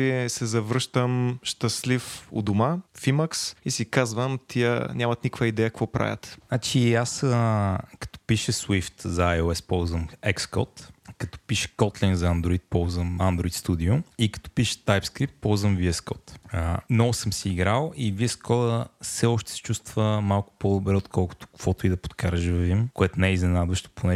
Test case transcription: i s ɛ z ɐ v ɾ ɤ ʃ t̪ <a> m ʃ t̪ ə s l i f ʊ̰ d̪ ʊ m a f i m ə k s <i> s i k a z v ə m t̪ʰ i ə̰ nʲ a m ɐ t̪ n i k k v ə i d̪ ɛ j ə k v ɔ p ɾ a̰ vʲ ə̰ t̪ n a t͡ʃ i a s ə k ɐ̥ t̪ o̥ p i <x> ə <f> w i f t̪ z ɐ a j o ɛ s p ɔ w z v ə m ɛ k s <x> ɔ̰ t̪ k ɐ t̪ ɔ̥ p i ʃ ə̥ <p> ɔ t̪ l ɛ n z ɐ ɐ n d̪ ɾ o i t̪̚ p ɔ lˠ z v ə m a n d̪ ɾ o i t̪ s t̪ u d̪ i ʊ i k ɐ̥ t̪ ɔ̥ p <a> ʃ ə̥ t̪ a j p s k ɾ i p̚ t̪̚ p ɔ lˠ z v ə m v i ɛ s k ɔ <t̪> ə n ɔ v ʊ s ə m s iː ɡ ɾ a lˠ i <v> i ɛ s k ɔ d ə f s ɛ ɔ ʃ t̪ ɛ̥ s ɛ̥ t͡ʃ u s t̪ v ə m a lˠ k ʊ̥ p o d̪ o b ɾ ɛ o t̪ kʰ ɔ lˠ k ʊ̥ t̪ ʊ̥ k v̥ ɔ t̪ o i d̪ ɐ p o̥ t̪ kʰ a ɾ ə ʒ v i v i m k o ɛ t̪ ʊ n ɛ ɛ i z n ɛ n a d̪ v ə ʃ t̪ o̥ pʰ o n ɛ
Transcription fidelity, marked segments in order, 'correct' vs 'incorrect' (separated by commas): incorrect, correct, incorrect, incorrect, incorrect, incorrect, incorrect, correct, correct